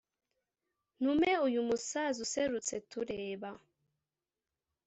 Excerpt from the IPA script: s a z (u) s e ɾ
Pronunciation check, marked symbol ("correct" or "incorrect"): correct